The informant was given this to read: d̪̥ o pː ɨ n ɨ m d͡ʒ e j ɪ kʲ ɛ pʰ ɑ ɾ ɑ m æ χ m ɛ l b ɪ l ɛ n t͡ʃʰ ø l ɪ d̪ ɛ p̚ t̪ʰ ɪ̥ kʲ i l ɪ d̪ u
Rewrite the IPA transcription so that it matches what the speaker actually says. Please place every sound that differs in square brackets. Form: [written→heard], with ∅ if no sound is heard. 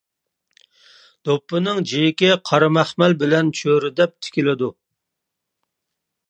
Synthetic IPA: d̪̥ o pː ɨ n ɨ [m→ŋ] d͡ʒ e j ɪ kʲ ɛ [pʰ→qʰ] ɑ ɾ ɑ m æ χ m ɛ l b ɪ l ɛ n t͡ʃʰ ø [l→ɾ] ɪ d̪ ɛ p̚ t̪ʰ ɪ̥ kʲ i l ɪ d̪ u